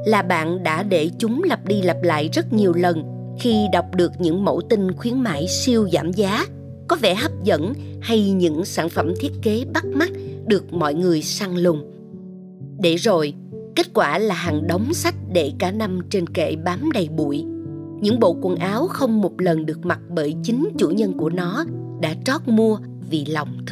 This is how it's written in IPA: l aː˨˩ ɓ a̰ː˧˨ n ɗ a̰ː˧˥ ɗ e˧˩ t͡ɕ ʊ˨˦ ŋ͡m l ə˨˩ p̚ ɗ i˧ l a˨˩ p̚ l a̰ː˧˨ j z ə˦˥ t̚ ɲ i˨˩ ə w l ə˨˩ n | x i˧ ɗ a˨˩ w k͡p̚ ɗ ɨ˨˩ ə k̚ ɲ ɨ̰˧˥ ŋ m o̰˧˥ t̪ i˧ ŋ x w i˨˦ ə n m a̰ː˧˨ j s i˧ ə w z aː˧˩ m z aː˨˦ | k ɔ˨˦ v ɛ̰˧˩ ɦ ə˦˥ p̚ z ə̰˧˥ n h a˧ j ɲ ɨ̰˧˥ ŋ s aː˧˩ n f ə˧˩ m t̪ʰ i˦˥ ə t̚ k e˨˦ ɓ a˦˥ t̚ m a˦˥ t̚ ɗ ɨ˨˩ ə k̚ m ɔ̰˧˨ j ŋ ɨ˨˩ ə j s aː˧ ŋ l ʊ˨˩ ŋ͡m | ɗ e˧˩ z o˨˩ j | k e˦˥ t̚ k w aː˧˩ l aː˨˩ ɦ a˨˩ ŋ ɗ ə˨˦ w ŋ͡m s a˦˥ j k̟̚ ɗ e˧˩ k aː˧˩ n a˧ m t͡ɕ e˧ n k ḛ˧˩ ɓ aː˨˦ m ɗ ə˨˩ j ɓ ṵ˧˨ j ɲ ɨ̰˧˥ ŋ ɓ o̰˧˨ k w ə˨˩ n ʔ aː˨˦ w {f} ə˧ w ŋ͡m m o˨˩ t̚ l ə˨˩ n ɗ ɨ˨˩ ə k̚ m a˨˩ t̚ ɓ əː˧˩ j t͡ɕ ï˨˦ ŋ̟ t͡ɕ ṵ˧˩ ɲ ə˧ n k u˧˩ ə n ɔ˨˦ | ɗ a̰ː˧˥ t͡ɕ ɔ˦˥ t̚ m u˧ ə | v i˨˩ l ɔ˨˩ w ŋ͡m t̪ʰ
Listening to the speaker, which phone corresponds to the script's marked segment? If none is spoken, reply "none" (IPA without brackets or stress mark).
x